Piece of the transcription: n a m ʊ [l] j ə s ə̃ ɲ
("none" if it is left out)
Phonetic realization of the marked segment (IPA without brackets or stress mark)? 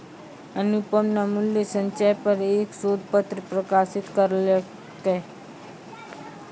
l